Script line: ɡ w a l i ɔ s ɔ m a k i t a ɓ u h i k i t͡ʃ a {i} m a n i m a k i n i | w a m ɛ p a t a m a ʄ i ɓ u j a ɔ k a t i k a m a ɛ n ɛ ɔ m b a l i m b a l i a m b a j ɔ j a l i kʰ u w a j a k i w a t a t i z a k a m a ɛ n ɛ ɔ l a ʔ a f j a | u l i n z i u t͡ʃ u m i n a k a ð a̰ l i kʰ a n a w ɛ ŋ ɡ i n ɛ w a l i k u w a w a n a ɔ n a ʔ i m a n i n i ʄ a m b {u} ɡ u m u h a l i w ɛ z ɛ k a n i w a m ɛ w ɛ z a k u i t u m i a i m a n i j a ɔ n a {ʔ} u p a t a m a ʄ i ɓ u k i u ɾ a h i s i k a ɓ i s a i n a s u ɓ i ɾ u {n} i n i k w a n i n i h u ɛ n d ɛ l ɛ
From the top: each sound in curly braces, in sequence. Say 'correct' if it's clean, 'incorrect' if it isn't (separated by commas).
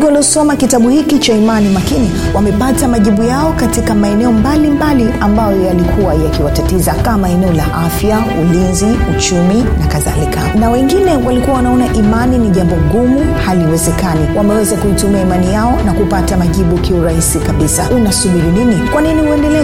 correct, incorrect, incorrect, correct